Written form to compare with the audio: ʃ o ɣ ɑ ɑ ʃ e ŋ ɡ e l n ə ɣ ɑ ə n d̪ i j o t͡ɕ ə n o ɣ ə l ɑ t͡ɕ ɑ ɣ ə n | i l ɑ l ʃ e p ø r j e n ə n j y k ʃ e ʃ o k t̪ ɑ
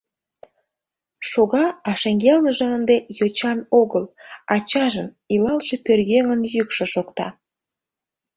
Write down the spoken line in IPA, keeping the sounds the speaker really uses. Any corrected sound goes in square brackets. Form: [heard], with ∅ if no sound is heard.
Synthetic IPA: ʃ o ɣ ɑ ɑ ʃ e ŋ ɡ e l n ə [ʒ] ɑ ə n d̪ [e] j o t͡ɕ [ɑ] n o ɣ ə l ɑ t͡ɕ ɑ [ʒ] ə n | i l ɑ l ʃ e p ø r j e [ŋ] ə n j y k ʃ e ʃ o k t̪ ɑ